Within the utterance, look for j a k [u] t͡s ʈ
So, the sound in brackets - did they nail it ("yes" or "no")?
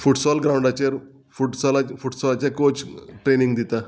no